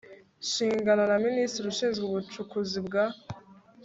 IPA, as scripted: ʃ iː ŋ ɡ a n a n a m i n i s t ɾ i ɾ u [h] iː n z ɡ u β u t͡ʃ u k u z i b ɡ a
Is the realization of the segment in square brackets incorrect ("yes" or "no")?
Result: yes